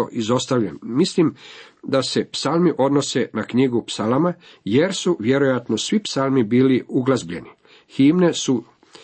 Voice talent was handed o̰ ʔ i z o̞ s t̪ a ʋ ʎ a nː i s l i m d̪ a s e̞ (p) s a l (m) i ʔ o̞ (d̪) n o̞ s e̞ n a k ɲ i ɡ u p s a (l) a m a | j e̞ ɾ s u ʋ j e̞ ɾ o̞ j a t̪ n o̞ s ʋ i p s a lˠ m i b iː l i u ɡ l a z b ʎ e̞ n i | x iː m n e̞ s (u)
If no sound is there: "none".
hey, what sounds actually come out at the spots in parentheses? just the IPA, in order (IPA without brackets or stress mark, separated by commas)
p, m, d̪, l, u